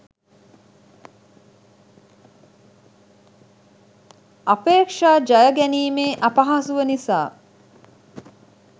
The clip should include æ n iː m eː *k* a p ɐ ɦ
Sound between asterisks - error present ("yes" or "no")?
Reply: yes